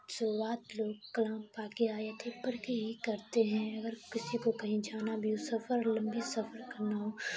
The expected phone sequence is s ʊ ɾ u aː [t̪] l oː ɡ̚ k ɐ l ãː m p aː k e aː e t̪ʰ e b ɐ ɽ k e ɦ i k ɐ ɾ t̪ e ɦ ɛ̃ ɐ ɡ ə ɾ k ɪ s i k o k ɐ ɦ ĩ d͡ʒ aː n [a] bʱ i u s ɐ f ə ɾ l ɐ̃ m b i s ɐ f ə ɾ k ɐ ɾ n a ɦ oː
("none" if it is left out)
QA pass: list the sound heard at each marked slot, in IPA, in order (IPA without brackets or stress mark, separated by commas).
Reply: t̪, a